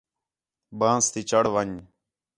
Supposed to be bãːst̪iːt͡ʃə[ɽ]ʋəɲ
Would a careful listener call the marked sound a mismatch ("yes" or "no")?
no